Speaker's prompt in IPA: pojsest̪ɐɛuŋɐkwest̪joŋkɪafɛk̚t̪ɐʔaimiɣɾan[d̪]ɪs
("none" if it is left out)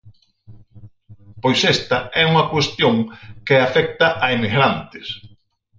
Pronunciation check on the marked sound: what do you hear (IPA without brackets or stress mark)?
t̪